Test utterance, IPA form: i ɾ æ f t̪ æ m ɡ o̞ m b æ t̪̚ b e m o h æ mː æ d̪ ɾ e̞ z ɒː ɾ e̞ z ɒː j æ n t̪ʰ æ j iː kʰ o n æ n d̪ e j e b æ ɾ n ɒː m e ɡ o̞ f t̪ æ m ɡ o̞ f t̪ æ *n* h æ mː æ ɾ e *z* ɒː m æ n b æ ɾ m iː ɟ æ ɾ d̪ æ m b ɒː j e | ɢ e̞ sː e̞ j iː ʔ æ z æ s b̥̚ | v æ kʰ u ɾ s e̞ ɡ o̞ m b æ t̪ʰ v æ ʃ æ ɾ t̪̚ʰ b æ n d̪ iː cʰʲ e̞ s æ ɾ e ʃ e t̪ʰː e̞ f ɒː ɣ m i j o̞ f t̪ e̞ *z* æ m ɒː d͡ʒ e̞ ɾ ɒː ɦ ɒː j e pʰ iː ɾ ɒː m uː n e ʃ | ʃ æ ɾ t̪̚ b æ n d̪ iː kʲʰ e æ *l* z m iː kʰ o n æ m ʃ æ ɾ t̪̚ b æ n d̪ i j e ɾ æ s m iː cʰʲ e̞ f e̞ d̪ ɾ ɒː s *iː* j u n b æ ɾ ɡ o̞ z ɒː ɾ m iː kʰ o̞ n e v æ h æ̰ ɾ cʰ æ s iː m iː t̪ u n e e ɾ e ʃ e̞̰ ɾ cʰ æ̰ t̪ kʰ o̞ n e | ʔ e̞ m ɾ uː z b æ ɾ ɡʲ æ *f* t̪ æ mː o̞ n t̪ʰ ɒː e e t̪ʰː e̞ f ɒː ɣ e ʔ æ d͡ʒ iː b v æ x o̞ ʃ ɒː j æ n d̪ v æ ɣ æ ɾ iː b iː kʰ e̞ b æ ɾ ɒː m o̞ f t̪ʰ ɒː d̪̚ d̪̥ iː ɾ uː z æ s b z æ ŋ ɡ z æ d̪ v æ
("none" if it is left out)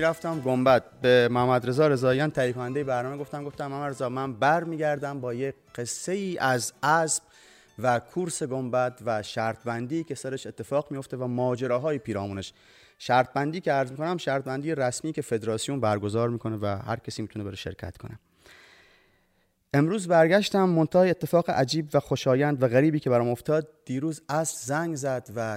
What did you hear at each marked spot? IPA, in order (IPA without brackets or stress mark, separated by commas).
m, z, v, ɾ, i, ʃ